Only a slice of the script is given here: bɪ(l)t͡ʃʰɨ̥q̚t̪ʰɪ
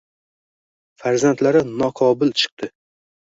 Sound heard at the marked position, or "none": l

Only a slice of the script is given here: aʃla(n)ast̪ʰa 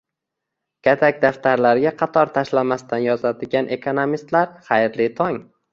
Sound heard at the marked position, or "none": m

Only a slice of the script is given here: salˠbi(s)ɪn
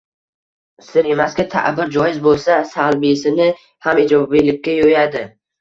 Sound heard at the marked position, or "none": s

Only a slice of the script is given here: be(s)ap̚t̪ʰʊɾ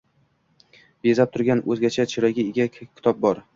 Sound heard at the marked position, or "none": z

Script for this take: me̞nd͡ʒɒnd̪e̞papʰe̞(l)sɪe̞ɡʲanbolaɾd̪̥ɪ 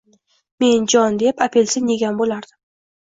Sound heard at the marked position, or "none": l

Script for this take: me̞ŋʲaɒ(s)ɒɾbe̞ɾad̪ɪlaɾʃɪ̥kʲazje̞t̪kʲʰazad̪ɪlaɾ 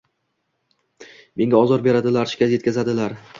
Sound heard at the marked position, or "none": z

